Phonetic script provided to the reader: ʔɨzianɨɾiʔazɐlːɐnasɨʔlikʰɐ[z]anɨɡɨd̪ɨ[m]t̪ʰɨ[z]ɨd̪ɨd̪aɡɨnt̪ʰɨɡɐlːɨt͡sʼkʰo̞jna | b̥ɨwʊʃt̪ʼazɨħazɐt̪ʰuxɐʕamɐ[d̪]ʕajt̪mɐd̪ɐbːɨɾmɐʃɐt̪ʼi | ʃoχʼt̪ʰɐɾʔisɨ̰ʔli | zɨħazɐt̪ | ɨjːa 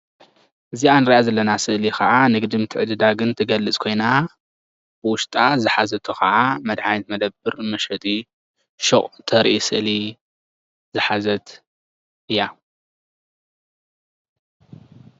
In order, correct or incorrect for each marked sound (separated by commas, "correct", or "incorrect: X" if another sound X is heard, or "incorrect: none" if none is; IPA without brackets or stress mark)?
incorrect: ʕ, correct, incorrect: ʕ, correct